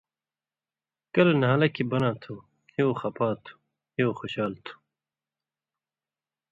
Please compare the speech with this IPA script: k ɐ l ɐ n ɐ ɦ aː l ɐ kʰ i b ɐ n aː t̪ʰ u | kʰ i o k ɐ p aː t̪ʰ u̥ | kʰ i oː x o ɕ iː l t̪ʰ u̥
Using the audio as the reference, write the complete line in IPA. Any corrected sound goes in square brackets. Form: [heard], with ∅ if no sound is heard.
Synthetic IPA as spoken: k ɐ l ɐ n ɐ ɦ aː l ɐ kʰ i b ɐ n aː t̪ʰ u | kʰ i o [x] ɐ p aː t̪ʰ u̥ | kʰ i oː x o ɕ [aː] l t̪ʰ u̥